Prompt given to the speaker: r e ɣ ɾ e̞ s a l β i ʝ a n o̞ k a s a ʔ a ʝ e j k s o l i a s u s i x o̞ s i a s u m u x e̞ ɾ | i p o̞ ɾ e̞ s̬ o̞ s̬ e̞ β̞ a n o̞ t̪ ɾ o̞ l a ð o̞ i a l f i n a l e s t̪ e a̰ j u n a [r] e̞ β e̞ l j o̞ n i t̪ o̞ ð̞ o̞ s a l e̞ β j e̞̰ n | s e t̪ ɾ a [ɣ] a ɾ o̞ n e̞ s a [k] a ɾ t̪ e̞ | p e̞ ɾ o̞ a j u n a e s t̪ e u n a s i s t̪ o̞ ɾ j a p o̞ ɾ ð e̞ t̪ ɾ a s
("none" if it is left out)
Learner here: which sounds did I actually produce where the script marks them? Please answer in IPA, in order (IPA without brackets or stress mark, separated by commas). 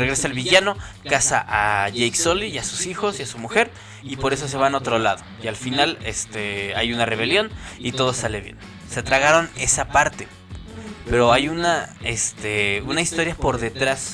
r, ɣ, p